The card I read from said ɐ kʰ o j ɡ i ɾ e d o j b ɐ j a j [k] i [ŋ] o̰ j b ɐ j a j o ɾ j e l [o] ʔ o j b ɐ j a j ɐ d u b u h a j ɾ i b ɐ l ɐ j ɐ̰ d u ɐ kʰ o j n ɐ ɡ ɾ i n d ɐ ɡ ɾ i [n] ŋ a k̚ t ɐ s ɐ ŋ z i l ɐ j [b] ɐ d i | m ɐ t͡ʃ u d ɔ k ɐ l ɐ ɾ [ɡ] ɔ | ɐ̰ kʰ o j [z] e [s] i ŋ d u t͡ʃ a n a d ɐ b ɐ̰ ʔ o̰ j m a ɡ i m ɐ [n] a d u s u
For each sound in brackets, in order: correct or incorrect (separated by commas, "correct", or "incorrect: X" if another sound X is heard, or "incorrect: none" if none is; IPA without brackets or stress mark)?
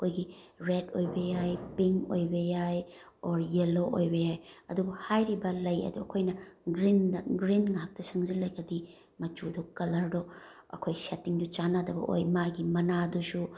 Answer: incorrect: p, correct, correct, correct, incorrect: ɡ, incorrect: d, incorrect: s, incorrect: t, correct